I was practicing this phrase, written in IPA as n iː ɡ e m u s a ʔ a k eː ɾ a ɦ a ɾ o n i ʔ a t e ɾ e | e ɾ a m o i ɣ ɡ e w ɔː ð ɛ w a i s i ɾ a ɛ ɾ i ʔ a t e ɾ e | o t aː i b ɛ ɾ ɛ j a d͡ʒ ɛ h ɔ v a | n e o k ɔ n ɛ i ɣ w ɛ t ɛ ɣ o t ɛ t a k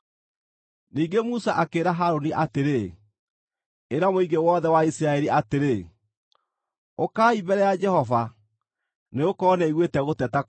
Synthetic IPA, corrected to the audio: n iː ɡ e m u s a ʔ a k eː ɾ a ɦ a ɾ o n i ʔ a t e ɾ e | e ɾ a m o i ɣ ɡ e w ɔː ð ɛ w a i s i ɾ a ɛ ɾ i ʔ a t e ɾ e | o k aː i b ɛ ɾ ɛ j a d͡ʒ ɛ h ɔ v a | n e o k ɔ n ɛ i ɣ w e t ɛ ɣ o t ɛ t a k

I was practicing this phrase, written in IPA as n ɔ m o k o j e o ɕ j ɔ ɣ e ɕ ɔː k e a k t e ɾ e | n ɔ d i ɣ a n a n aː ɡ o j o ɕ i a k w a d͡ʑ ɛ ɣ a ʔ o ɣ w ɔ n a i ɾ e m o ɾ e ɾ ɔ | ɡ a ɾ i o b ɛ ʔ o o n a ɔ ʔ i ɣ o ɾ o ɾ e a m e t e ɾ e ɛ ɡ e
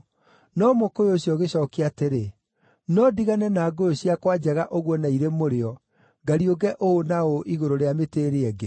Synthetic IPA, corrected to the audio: n ɔ m o k o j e o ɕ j ɔ ɣ e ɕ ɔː k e a t e ɾ e | n ɔ d i ɣ a n ɛ n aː ɡ o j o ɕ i a k w a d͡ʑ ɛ ɣ a ʔ o ɣ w ɔ n a i ɾ e m o ɾ e ɔ | ɡ a ɾ i o ɡ ɛ ʔ o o n a o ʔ i ɣ o ɾ o ɾ e a m e t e ɾ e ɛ ɡ e

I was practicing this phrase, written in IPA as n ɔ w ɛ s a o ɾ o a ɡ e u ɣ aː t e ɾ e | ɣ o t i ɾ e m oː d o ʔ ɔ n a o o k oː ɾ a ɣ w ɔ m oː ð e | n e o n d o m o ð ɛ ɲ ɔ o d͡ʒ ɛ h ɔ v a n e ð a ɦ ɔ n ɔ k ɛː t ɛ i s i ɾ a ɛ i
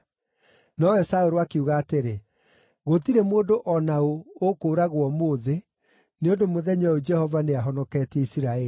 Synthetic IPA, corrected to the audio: n ɔ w ɛ s a o ɾ o a k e u ɣ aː t e ɾ e | ɣ o t i ɾ e m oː d o ʔ ɔ n a o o k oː ɾ a ɣ w ɔ m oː ð e | n e o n d o m o ð ɛ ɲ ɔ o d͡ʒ ɛ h ɔ v a n e a ɦ ɔ n ɔ k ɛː t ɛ i s i ɾ a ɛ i

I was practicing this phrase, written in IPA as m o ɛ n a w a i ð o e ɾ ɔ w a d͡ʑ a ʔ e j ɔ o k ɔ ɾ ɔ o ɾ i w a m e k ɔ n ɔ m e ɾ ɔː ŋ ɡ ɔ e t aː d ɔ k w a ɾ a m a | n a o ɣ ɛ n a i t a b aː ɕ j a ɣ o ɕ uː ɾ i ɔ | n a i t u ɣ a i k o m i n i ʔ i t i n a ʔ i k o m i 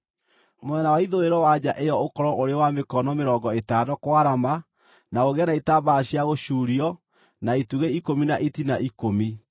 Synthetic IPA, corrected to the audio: m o ɛ n a w a i ð o e ɾ ɔ w a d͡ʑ a ʔ e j ɔ o k ɔ ɾ ɔ o ɾ e w a m e k ɔ n ɔ m e ɾ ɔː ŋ ɡ ɔ e t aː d ɔ k w a ɾ a m a | n a o ɣ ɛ n a i t a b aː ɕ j a ɣ o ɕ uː ɾ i ɔ | n a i t u ɣ e i k o m i n a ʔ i t i n a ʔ i k o m i

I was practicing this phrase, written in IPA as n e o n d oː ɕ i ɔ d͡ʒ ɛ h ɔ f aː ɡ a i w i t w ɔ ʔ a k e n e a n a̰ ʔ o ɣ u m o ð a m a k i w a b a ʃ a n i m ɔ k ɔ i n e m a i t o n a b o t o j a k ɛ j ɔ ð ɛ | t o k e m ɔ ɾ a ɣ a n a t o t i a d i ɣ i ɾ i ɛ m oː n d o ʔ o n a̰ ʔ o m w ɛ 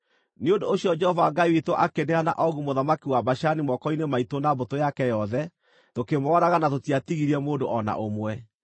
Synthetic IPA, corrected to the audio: n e o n d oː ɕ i ɔ d͡ʒ ɛ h ɔ v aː ɡ a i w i t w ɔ ʔ a k e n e a n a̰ ʔ ɔ ɣ u m o ð a m a k i w a b a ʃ a n i m ɔ k ɔ i n e m a i t o n a b o t o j a k ɛ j ɔ ð ɛ | t o k e m ɔ ɾ a ɣ a n a t o t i a t i ɣ i ɾ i ɛ m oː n d o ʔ ɔ n a̰ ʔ o m w ɛ

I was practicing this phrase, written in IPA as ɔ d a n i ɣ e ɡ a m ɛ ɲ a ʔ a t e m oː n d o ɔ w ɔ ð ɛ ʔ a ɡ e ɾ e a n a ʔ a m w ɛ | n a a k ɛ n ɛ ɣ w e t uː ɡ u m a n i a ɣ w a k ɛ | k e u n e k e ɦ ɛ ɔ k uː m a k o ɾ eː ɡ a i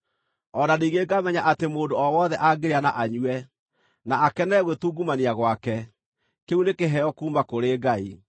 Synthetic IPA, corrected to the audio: ɔ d a n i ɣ e ɡ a m ɛ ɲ a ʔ a t e m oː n d o ɔ w ɔ ð ɛ ʔ a ɡ e ɾ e a n a ʔ a ɲ w ɛ | n a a k ɛ n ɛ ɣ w e t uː ɡ u m a n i a ɣ w a k ɛ | k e u n e k e ɦ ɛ ɔ k uː m a k o ɾ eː ɡ a i

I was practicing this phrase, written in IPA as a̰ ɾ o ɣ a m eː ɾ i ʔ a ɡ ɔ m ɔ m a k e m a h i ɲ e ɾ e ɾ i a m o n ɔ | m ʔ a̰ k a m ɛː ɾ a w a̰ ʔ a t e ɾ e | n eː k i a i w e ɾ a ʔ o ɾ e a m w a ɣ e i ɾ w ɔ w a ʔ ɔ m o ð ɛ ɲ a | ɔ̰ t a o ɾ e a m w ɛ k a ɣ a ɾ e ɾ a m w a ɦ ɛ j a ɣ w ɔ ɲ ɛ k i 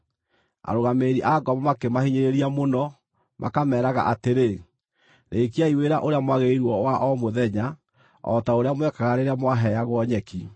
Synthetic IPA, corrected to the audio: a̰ ɾ o ɣ a m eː ɾ i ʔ a ɡ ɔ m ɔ m a k e m a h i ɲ e ɾ e ɾ i a m o n ɔ | m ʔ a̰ k a m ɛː ɾ a ɣ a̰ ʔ a t e ɾ e | n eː k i a i w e ɾ a ʔ o ɾ e a m w a ɣ e i ɾ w ɔ w a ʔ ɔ m o ð ɛ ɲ a | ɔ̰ t a o ɾ e a m w ɛ k a ɣ a ɾ e ɾ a m w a ɦ ɛ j a ɣ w ɔ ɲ ɛ k i

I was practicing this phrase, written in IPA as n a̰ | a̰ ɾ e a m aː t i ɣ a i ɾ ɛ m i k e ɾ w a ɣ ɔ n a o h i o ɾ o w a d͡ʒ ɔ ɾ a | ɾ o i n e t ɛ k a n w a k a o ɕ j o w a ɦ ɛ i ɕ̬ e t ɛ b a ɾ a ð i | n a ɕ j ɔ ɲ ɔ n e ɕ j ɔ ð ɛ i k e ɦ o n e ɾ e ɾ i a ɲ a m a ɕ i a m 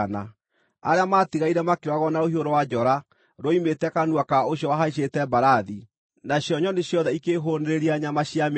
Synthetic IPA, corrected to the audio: n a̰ | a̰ ɾ e a m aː t i ɣ a i ɾ ɛ m a k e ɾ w a ɣ ɔ n a o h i o ɾ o w a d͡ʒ ɔ ɾ a | ɾ o i m e t ɛ k a n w a k a o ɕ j ɔ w a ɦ a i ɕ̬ e t ɛ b a ɾ a ð i | n a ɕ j ɔ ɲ ɔ n e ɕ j ɔ ð ɛ i k e ɦ o n e ɾ e ɾ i a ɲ a m a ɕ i a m

